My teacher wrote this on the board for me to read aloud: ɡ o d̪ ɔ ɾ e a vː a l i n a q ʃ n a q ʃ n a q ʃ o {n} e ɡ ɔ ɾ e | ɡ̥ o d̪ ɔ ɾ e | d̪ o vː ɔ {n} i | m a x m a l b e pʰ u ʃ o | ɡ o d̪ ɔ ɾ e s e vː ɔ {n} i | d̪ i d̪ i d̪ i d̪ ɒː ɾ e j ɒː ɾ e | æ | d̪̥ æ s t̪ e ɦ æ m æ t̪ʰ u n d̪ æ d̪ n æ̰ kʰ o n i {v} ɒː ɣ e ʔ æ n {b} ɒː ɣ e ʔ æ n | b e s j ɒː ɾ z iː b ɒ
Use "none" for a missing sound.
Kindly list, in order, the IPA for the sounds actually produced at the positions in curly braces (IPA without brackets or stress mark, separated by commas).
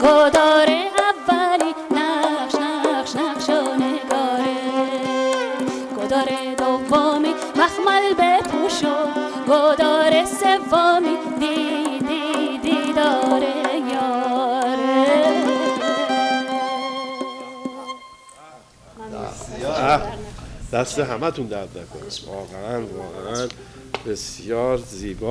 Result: n, m, m, v, v